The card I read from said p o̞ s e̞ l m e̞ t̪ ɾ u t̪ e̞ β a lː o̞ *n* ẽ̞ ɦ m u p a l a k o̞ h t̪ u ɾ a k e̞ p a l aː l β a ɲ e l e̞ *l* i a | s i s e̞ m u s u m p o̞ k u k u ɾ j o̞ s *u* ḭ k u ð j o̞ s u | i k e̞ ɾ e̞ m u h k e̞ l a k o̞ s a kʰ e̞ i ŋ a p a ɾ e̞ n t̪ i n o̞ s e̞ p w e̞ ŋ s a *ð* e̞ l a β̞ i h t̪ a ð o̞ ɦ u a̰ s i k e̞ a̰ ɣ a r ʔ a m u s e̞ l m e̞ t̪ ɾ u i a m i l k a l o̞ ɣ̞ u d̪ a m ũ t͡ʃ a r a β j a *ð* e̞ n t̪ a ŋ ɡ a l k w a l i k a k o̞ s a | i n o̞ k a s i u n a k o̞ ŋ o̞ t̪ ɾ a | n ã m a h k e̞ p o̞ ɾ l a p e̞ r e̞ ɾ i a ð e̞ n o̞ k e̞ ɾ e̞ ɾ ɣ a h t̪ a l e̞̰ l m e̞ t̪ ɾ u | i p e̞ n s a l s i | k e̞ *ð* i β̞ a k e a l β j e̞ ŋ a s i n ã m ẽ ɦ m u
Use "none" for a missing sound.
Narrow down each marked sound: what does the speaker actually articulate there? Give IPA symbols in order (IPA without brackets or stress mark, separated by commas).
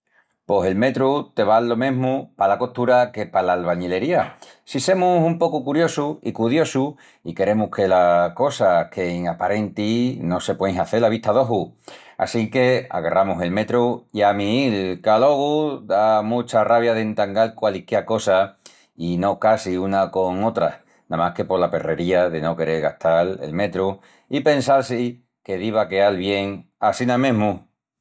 m, ɾ, u, θ, ð, ð